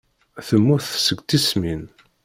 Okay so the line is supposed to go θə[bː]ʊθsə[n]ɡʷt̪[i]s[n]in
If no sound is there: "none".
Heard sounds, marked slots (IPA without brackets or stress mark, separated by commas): mː, none, i, m